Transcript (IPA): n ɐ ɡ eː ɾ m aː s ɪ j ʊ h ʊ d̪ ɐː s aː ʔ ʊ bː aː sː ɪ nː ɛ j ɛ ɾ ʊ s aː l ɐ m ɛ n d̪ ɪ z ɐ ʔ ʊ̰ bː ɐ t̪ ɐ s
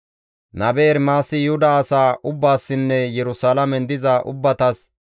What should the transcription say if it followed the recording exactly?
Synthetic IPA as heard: n ɐ b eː ɾ m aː s ɪ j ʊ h ʊ d̪ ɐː s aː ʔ ʊ bː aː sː ɪ nː ɛ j ɛ ɾ ʊ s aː l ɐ m ɛ n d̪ ɪ z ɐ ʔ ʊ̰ bː ɐ t̪ ɐ s